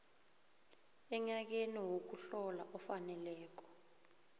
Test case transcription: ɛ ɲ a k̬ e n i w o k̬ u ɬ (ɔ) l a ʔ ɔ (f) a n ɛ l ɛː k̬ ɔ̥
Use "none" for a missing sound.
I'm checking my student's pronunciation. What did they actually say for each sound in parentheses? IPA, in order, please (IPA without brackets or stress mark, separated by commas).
ɔ, f